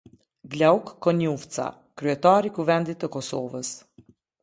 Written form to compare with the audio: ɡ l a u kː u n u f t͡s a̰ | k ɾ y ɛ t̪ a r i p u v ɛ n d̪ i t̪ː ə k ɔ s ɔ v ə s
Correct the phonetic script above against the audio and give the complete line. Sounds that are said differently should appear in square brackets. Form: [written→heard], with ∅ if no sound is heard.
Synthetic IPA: ɡ l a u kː [u→ɔ] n u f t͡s a̰ | k ɾ y ɛ t̪ a [r→ɾ] i [p→k] u v ɛ n d̪ i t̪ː ə k ɔ s ɔ v ə s